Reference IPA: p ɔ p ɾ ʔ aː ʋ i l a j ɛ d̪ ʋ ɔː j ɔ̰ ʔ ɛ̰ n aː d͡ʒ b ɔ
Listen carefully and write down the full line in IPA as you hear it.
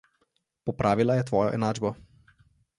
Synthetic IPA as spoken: p ɔ p ɾ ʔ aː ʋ i l a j ɛ t̪ ʋ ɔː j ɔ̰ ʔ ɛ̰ n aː d͡ʒ b ɔ